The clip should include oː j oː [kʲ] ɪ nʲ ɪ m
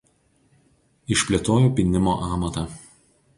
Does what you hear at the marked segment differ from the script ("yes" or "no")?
yes